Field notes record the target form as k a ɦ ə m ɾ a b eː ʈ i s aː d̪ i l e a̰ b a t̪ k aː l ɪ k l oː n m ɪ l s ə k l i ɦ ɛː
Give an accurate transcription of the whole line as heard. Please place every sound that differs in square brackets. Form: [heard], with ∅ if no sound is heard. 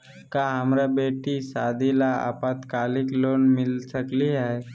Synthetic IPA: k a ɦ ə m ɾ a b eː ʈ i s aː d̪ i l [a] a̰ [p] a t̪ k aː l ɪ k l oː n m ɪ l s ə k l i ɦ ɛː